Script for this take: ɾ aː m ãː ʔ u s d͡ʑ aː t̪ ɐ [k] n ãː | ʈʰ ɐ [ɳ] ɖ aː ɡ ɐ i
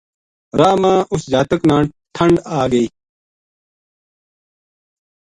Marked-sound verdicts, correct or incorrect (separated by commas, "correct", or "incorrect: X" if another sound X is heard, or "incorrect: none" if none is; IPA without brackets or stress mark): correct, correct